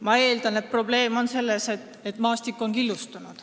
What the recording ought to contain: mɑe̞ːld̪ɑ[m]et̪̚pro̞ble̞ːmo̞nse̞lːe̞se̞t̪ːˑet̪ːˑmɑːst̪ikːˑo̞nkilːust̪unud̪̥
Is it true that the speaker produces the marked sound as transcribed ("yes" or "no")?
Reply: no